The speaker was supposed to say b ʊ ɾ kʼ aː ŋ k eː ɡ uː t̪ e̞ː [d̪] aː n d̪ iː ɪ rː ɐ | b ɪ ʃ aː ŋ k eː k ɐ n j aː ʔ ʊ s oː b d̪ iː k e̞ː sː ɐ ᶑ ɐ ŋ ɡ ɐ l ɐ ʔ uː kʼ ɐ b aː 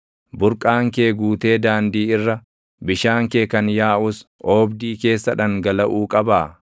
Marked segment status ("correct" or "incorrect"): correct